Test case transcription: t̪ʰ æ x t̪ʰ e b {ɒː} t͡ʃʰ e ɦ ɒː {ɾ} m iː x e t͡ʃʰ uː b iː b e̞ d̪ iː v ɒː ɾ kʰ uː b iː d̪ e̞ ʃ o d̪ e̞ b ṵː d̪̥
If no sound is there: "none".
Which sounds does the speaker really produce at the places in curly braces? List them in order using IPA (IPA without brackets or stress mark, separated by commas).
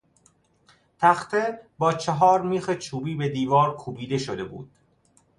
ɒː, ɾ